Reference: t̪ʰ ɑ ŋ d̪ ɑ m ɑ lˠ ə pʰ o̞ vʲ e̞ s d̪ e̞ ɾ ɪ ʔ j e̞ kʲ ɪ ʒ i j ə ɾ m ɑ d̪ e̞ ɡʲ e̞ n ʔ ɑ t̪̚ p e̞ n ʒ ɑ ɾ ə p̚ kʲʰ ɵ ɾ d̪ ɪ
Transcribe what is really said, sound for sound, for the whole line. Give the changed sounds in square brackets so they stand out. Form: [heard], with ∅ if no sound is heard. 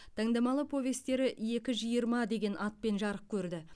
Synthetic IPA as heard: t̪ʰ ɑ ŋ d̪ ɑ m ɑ lˠ ə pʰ o̞ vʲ e̞ s [t̪] e̞ ɾ ɪ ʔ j e̞ kʲ ɪ ʒ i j ə ɾ m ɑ d̪ e̞ ɡʲ e̞ n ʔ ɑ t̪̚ p e̞ n ʒ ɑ ɾ ə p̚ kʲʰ ɵ ɾ d̪ ɪ